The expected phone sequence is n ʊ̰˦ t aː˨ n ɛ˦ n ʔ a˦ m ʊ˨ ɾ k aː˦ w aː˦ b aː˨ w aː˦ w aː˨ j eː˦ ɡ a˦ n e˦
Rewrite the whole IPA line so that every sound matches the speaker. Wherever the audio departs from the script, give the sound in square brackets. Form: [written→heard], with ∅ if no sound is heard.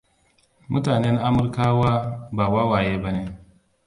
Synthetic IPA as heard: [n→m] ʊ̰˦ t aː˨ n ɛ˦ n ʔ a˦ m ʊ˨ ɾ k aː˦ w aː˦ b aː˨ w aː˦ w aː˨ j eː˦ [ɡ→b] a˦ n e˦